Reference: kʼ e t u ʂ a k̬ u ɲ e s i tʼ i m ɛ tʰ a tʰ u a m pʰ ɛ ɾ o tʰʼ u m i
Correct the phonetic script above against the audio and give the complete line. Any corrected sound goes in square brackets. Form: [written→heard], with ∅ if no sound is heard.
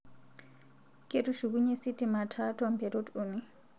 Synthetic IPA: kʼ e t u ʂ [a→i] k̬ u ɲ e s i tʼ i m [ɛ→a] tʰ a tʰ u a m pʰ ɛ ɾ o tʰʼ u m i